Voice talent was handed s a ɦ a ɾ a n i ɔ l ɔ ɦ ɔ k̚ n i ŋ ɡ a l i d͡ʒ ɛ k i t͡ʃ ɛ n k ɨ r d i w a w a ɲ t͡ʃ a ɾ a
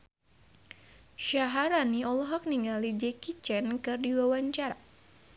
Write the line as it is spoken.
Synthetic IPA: ʃ a ɦ a ɾ a n i ɔ l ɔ ɦ ɔ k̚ n i ŋ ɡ a l i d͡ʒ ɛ k i t͡ʃ ɛ n k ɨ r d i w a w a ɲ t͡ʃ a ɾ a